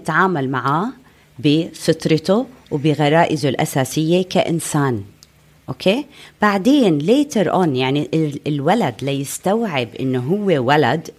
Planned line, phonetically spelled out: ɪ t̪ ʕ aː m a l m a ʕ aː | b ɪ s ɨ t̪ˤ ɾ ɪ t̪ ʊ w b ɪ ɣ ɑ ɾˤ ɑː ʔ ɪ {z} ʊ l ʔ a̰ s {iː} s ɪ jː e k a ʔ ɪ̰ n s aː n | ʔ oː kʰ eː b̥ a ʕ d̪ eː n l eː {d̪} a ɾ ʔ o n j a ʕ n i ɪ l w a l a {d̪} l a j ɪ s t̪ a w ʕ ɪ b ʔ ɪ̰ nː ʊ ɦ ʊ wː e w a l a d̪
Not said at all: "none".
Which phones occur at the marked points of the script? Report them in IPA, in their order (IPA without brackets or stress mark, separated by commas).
z, aː, t̪, d̪